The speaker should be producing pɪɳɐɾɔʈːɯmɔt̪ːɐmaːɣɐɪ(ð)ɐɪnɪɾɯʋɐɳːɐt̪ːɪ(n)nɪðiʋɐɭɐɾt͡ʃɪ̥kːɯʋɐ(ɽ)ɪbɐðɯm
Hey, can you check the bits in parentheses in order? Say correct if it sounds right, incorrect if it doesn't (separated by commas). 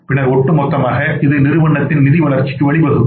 correct, correct, incorrect